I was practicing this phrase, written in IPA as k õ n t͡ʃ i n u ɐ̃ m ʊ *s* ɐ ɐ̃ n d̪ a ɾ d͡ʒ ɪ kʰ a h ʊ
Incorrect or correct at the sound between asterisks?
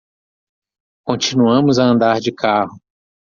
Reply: incorrect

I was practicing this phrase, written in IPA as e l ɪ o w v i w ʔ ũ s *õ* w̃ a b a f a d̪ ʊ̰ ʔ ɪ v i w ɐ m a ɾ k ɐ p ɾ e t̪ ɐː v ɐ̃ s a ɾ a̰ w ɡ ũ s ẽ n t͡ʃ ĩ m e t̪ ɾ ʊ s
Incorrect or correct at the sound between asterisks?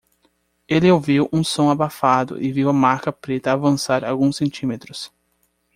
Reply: correct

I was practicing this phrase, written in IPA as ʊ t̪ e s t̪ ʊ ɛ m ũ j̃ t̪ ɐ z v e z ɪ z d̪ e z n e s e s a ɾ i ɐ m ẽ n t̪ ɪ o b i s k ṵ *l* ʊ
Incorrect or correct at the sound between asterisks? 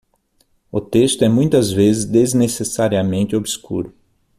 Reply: incorrect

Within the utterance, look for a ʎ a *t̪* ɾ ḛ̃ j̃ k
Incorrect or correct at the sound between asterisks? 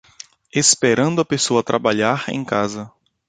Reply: incorrect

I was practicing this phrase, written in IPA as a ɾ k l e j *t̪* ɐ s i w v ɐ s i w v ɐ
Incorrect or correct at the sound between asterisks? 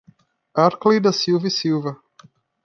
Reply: incorrect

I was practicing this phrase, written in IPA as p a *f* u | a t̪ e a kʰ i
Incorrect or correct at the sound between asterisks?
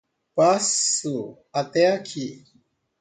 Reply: incorrect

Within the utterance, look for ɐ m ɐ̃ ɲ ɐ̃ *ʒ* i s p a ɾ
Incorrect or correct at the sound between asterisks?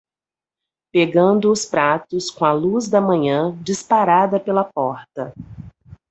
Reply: incorrect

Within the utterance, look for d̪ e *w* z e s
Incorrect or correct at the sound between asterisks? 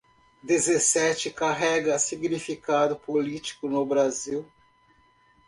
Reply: incorrect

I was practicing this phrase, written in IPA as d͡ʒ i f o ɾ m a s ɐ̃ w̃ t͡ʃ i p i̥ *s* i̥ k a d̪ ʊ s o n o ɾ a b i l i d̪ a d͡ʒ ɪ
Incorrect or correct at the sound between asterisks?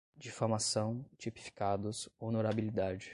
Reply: incorrect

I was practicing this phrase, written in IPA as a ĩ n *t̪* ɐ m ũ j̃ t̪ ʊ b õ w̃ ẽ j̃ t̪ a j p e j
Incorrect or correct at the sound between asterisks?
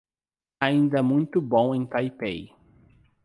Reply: incorrect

